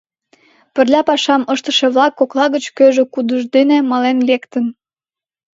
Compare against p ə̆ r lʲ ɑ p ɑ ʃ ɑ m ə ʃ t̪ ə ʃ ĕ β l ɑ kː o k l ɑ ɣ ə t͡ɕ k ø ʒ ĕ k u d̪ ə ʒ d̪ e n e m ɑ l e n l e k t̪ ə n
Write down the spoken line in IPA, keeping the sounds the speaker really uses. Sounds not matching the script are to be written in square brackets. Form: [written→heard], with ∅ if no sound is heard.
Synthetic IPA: p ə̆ r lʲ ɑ p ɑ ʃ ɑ m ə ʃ t̪ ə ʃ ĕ β l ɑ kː o k l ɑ ɣ ə t͡ɕ k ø ʒ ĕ k u d̪ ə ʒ d̪ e n e m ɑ l e n l e k t̪ ə n